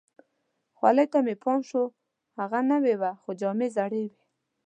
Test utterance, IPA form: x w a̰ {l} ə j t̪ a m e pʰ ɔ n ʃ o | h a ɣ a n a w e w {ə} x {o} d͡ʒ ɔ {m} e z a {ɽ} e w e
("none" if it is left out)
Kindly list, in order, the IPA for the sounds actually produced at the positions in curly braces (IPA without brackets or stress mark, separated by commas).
l, a, o, m, ɽ